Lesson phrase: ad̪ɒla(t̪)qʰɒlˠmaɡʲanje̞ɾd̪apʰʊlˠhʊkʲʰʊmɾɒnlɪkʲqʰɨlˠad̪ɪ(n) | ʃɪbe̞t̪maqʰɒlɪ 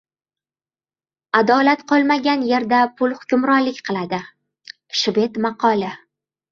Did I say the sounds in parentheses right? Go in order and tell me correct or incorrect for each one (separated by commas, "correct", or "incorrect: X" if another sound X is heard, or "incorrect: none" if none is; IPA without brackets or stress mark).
correct, incorrect: none